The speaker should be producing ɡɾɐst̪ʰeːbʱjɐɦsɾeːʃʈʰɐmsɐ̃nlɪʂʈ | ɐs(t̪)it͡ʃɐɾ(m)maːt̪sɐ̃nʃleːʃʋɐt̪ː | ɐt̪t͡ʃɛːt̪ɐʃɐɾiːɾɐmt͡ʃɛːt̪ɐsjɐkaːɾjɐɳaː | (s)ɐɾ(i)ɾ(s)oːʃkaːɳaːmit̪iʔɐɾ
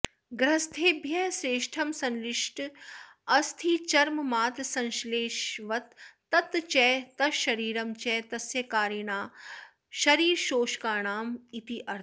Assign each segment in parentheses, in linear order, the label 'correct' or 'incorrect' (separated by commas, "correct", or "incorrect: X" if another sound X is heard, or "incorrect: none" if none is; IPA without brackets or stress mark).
incorrect: t̪ʰ, correct, incorrect: ʃ, incorrect: iː, incorrect: ʃ